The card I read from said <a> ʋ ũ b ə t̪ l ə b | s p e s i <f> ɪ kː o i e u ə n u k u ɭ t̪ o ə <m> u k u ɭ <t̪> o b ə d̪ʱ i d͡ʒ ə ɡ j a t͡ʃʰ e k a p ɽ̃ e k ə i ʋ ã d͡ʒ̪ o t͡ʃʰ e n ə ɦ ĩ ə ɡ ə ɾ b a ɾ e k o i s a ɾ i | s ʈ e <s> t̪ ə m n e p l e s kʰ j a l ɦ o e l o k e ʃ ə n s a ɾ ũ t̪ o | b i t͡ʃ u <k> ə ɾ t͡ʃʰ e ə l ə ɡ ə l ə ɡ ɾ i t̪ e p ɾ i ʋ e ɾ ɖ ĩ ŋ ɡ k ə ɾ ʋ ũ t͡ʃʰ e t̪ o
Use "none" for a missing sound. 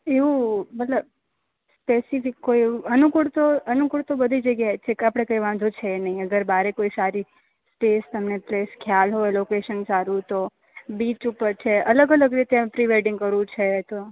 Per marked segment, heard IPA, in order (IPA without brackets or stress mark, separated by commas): e, f, n, t̪, s, p